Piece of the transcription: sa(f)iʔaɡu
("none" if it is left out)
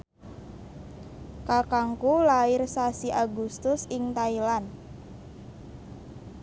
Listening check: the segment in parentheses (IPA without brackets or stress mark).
s